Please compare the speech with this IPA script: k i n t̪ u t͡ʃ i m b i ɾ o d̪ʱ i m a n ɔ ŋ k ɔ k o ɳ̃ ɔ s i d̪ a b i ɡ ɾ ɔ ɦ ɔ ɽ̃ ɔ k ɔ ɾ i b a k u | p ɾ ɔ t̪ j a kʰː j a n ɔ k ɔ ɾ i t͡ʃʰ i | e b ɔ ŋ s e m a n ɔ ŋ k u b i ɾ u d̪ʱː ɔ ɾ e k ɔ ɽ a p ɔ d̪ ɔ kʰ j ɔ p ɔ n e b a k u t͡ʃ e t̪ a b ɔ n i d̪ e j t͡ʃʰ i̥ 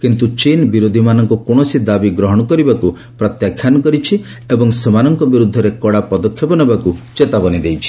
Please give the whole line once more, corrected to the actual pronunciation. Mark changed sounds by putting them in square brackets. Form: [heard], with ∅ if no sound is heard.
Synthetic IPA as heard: k i n t̪ u t͡ʃ i [n] b i ɾ o d̪ʱ i m a n ɔ ŋ k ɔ k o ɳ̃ ɔ s i d̪ a b i ɡ ɾ ɔ ɦ ɔ ɽ̃ ɔ k ɔ ɾ i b a k u | p ɾ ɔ t̪ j a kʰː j a n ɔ k ɔ ɾ i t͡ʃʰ i | e b ɔ ŋ s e m a n ɔ ŋ k [ɔ] b i ɾ u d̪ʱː ɔ ɾ e k ɔ ɽ a p ɔ d̪ ɔ kʰ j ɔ p ɔ n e b a k u t͡ʃ e t̪ a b ɔ n i d̪ e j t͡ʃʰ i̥

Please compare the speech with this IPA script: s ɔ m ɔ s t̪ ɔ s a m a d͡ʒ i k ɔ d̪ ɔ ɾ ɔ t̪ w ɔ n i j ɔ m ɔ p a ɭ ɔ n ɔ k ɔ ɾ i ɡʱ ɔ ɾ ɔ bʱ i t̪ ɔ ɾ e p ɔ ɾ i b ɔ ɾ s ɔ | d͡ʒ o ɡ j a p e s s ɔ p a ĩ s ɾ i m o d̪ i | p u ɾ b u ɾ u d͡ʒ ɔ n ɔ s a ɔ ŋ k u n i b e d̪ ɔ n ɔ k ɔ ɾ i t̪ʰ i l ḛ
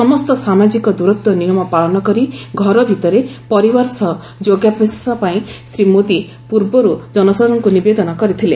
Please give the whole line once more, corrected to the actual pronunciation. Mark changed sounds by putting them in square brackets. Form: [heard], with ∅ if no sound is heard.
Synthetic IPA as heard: s ɔ m ɔ s t̪ ɔ s a m a d͡ʒ i k ɔ d̪ [u] ɾ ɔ t̪ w ɔ n i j ɔ m ɔ p a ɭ ɔ n ɔ k ɔ ɾ i ɡʱ ɔ ɾ ɔ bʱ i t̪ ɔ ɾ e p ɔ ɾ i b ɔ ɾ s ɔ | d͡ʒ o ɡ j a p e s s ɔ p a ĩ s ɾ i m o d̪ i | p u ɾ b [ɔ] ɾ u d͡ʒ ɔ n ɔ s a ɔ ŋ k u n i b e d̪ ɔ n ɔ k ɔ ɾ i t̪ʰ i l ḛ

